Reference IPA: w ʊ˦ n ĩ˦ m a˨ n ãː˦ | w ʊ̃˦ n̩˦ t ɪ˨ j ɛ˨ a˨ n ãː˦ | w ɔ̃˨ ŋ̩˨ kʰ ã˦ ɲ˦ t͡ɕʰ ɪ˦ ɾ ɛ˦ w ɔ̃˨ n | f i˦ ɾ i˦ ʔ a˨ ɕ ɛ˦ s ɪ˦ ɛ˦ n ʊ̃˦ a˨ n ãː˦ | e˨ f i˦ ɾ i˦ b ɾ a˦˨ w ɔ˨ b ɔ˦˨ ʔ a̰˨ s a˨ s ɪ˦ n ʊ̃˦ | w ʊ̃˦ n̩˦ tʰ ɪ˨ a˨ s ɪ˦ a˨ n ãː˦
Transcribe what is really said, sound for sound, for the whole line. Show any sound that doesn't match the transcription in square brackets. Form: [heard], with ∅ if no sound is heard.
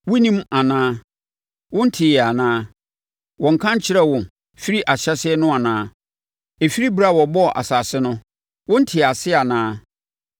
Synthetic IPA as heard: w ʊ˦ n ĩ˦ m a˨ n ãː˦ | w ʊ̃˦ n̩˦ [tʰ] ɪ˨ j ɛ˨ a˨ n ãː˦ | w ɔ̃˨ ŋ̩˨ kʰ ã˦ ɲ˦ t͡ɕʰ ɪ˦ ɾ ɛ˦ w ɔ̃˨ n | f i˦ ɾ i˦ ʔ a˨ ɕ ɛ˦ s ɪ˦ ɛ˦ n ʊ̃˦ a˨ n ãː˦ | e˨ f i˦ ɾ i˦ b ɾ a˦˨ w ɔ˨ b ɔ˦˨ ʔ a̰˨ s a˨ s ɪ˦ n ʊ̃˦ | w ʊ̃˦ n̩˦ tʰ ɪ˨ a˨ s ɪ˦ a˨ n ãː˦